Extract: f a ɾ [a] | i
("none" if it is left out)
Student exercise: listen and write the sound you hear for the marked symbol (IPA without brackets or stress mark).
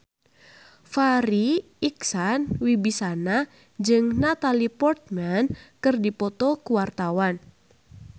i